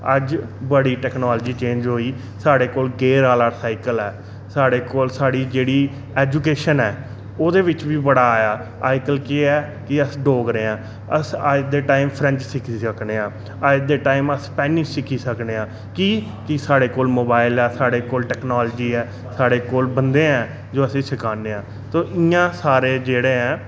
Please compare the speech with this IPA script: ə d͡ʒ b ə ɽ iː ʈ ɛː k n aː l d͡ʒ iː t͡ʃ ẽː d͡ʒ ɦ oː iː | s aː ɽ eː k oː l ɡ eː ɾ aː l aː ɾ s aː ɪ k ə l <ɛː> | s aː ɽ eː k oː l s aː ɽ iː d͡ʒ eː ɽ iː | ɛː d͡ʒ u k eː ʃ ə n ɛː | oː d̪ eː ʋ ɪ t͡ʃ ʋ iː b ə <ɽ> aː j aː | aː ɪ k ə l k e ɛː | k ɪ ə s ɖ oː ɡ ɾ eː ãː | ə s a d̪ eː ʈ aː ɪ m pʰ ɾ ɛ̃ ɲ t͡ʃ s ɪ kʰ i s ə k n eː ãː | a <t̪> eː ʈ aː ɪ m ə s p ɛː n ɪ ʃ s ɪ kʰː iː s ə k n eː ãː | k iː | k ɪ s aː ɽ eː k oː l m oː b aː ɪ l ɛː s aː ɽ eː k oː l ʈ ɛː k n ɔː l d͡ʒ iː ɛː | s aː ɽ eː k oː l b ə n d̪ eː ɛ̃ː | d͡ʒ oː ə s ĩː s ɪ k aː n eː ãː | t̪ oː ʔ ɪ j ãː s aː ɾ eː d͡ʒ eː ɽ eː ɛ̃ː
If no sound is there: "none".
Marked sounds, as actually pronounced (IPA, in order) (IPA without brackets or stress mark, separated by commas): ɛː, ɽ, d̪